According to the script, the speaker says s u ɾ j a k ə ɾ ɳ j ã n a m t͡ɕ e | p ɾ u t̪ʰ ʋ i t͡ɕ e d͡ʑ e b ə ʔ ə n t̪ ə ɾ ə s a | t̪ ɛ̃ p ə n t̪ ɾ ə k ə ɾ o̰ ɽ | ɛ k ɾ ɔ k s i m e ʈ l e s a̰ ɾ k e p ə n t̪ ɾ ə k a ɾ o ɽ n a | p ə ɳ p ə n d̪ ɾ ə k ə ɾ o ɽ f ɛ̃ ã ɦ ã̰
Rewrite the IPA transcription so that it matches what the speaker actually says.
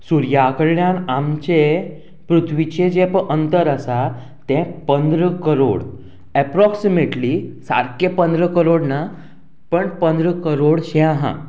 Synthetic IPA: s u ɾ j a k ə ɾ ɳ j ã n a m t͡ɕ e | p ɾ u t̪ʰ ʋ i t͡ɕ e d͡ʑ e p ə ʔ ə n t̪ ə ɾ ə s a | t̪ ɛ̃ p ə n d̪ ɾ ə k ə ɾ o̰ ɽ | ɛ p ɾ ɔ k s i m e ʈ l i s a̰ ɾ k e p ə n d̪ ɾ ə k ə ɾ o ɽ n a | p ə ɳ p ə n d̪ ɾ ə k ə ɾ o ɽ ɕ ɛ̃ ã ɦ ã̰